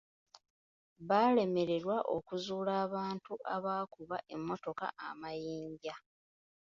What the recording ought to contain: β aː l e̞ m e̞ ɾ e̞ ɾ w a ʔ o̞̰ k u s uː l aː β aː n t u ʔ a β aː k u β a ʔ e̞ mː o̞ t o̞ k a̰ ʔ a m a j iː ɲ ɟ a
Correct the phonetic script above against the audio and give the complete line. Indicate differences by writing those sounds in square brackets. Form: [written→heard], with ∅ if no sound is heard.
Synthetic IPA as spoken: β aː l e̞ m e̞ ɾ e̞ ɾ w a ʔ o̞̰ k u [s→z] uː l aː β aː n t u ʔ a β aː k u β a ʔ e̞ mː o̞ t o̞ k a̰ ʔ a m a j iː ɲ ɟ a

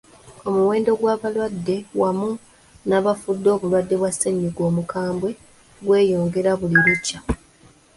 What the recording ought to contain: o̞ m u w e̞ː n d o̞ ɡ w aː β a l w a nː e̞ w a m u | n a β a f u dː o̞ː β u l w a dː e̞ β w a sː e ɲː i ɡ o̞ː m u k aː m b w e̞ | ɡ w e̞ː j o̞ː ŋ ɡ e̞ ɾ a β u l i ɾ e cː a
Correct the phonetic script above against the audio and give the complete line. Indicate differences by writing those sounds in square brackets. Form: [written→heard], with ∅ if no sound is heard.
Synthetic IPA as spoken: o̞ m u w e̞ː n d o̞ ɡ w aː β a l w a [nː→dː] e̞ w a m u | n a β a f u dː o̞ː β u l w a dː e̞ β w a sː e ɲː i ɡ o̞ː m u k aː m b w e̞ | ɡ w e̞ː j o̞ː ŋ ɡ e̞ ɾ a β u l i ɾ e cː a

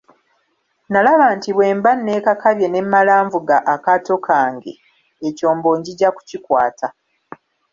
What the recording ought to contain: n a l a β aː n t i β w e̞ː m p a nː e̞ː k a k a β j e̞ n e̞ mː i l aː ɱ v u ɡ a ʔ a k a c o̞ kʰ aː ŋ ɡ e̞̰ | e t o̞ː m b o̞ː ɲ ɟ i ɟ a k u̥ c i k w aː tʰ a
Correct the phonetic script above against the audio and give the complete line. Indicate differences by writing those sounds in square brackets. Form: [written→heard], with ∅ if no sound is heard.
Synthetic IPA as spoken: n a l a β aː n t i β w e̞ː m [p→b] a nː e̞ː k a k a β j e̞ n e̞ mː [i→a] l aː ɱ v u ɡ a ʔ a k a [c→t] o̞ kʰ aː ŋ ɡ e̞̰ | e [t→c] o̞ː m b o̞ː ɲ ɟ i ɟ a k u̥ c i k w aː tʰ a

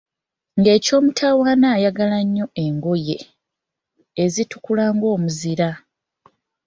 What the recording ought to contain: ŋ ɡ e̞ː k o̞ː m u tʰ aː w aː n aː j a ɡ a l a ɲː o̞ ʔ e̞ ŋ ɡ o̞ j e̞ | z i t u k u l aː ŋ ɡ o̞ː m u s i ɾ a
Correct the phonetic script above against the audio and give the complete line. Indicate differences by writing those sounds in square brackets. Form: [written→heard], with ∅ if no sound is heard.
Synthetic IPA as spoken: ŋ ɡ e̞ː [k→c] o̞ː m u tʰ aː w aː n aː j a ɡ a l a ɲː o̞ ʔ e̞ ŋ ɡ o̞ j e̞ | z i t u k u l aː ŋ ɡ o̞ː m u [s→z] i ɾ a

